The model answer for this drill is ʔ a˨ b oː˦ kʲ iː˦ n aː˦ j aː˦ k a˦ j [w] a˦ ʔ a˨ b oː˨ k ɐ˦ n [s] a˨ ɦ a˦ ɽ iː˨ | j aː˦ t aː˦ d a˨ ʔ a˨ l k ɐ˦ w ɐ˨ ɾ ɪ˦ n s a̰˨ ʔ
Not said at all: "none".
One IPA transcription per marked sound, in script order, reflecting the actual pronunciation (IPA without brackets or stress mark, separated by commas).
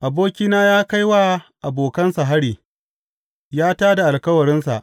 w, s